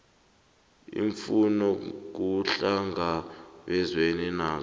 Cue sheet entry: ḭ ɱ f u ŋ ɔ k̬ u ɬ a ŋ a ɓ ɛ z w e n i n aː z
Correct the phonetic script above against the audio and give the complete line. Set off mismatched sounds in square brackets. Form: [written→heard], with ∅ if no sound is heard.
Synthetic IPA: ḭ ɱ f u [ŋ→n] ɔ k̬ u ɬ a ŋ a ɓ ɛ z w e n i n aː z